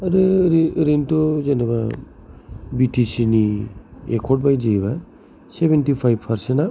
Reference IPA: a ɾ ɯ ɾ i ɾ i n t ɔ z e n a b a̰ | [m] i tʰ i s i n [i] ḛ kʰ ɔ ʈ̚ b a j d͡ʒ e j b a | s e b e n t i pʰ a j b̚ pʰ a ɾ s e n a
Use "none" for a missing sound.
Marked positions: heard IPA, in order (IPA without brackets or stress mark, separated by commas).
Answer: b, i